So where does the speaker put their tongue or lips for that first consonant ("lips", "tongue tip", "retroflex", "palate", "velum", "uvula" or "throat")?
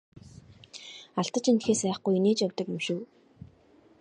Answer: tongue tip